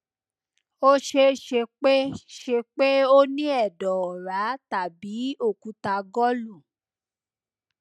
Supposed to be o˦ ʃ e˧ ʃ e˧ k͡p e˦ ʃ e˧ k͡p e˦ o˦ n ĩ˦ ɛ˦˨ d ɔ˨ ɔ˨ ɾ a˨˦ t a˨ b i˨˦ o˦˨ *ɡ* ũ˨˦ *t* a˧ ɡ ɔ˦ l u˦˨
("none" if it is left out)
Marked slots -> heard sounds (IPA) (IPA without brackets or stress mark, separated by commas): k, t